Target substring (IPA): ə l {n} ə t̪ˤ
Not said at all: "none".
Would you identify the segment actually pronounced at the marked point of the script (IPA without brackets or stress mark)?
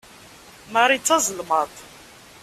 m